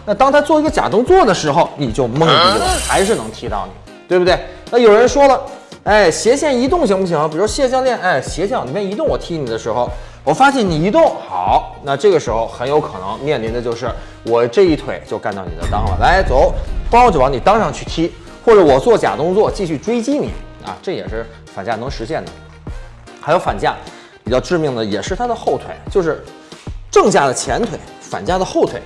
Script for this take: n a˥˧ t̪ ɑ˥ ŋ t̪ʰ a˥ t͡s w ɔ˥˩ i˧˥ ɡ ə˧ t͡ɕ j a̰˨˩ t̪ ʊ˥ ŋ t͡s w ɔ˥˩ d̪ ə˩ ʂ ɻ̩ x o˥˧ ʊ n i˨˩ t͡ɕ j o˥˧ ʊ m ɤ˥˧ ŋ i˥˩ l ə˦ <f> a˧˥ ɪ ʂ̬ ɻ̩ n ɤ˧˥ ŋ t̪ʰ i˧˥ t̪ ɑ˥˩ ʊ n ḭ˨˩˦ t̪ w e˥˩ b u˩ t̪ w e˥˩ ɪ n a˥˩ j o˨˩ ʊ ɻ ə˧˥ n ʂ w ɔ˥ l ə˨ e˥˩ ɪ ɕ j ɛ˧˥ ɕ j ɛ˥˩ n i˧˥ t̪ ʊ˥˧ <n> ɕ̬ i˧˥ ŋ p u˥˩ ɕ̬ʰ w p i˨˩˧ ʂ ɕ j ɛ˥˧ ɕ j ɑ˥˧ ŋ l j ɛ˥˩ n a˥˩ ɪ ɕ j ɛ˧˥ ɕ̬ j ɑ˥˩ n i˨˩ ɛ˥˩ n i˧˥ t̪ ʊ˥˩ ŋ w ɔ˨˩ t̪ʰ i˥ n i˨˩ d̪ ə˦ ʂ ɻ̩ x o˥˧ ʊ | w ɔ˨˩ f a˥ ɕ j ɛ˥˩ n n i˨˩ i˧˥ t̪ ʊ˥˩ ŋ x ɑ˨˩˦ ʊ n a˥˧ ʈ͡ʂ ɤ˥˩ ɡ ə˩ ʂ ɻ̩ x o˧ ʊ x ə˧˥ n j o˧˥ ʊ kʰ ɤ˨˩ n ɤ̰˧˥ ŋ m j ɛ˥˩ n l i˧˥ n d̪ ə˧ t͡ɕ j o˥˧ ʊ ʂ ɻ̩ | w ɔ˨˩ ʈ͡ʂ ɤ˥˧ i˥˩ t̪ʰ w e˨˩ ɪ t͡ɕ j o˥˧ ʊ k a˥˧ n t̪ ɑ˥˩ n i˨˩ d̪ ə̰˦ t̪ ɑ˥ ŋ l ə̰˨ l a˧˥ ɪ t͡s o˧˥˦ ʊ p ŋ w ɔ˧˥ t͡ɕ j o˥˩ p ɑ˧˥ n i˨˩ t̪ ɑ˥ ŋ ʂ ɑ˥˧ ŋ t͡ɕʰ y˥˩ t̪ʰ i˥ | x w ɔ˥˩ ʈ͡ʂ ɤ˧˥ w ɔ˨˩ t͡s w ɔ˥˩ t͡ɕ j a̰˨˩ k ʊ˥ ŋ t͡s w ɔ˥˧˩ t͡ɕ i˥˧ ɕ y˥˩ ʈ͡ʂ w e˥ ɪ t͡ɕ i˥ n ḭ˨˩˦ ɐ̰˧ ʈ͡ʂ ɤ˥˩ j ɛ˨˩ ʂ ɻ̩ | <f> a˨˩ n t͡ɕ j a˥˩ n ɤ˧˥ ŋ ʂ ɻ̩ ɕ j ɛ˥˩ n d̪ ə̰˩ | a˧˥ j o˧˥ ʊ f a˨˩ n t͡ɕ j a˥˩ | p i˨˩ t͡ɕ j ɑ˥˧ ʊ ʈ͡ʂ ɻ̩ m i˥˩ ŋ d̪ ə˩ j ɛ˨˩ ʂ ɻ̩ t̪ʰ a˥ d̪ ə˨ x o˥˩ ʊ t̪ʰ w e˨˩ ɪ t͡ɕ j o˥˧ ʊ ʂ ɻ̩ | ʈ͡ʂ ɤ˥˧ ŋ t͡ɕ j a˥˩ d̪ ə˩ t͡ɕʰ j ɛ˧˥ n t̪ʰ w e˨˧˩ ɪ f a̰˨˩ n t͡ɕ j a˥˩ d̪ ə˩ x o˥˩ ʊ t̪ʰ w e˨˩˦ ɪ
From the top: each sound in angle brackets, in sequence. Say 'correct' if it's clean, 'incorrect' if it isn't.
incorrect: x, incorrect: ŋ, correct

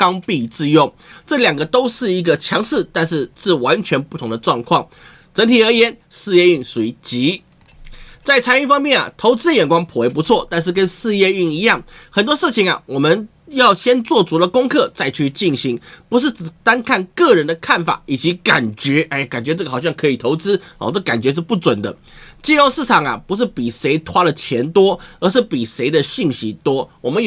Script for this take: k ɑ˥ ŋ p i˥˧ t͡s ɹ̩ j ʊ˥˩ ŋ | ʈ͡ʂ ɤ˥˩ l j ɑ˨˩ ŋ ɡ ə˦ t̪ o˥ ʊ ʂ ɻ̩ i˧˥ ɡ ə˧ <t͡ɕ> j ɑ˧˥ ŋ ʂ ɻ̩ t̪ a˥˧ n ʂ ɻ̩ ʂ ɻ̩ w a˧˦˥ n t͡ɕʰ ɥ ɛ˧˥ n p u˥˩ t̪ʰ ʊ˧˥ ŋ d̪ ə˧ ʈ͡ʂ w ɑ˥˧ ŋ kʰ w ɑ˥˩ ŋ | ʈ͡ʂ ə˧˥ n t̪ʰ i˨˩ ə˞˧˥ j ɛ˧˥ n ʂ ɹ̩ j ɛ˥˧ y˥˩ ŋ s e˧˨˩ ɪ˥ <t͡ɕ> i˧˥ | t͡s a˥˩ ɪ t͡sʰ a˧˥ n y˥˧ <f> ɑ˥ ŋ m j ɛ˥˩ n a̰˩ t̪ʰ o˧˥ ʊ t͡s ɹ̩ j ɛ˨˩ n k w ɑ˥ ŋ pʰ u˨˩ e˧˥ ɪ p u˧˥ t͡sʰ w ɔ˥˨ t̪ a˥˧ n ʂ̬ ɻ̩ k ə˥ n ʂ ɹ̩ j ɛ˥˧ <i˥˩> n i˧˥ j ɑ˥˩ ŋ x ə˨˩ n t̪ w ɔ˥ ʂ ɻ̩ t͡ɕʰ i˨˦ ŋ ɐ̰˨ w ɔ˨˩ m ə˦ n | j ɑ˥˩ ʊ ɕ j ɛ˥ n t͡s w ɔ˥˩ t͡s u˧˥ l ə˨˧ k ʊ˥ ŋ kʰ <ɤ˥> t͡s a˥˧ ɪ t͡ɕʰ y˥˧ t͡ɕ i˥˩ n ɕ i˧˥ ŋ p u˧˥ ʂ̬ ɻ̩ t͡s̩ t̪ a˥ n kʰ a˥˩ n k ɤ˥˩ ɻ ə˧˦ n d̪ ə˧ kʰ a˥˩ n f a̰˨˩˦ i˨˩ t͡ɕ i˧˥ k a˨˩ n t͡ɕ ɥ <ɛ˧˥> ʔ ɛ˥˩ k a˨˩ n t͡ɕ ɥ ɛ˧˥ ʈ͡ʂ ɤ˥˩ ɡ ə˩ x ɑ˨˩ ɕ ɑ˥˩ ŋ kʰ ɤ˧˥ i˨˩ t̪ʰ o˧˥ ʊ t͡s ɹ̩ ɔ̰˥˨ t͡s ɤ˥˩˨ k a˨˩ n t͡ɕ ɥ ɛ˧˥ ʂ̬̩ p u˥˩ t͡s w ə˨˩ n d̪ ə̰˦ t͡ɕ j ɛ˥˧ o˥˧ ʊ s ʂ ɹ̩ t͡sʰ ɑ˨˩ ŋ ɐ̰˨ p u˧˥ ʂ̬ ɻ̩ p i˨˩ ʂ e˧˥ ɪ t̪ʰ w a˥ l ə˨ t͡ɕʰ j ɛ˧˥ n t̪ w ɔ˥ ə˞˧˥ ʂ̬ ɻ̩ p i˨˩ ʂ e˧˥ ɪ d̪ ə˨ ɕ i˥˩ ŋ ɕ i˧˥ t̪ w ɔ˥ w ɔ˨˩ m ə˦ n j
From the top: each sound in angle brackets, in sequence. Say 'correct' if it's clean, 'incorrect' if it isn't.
incorrect: t͡ɕʰ, correct, correct, incorrect: y˥˩, incorrect: ɤ˥˧, correct

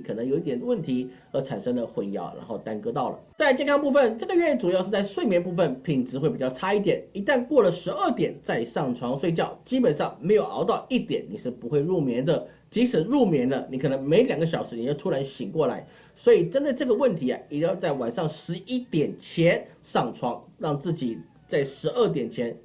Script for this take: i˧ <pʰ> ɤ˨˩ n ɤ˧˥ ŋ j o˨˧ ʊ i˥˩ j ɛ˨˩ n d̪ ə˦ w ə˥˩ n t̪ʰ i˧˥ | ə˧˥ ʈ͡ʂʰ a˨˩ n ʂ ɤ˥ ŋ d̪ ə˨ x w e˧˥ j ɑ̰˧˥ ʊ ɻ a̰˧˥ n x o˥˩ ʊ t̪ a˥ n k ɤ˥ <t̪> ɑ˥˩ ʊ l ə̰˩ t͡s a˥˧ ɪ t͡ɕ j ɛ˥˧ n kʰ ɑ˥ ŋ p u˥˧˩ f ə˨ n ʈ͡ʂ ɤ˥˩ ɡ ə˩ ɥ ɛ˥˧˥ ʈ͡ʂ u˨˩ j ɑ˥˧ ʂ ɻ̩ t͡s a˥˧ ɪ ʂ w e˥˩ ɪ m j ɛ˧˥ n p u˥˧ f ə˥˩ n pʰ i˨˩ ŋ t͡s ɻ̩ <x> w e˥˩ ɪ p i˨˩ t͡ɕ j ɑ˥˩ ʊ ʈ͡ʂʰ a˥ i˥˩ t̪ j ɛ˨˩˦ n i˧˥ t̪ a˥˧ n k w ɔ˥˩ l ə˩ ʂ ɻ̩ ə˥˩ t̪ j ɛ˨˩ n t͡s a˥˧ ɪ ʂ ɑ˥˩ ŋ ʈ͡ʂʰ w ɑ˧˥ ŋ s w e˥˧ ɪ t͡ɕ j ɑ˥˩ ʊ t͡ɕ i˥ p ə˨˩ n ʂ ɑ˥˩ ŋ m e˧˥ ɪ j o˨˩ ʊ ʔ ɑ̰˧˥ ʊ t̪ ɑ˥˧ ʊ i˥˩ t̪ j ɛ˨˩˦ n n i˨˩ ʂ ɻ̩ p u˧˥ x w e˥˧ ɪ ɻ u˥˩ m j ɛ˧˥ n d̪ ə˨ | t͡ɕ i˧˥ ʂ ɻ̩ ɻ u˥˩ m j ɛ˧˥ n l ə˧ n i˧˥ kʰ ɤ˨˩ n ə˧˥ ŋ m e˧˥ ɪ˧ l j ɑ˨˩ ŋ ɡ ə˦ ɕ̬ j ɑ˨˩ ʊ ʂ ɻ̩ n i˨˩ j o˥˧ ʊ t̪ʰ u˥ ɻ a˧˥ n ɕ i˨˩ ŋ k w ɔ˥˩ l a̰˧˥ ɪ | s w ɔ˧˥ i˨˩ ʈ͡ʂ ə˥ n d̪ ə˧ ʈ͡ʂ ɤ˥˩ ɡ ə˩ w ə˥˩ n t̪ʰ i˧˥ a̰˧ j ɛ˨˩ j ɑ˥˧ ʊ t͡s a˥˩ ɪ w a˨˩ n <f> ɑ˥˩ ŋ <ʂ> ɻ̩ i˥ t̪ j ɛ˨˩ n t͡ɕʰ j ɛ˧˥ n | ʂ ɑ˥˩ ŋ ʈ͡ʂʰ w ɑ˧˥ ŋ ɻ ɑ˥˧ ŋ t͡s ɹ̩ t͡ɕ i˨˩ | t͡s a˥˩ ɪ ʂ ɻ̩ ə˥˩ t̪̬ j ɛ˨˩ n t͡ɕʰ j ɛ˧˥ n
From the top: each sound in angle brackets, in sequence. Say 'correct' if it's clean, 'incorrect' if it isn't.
incorrect: kʰ, correct, correct, incorrect: ʂ, correct

